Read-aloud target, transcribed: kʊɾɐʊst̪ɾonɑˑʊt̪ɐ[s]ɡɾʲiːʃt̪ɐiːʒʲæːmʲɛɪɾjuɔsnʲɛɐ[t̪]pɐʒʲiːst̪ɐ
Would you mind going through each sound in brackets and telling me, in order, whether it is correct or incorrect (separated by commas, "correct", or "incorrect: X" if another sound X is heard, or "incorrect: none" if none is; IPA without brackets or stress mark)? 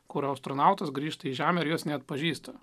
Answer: correct, correct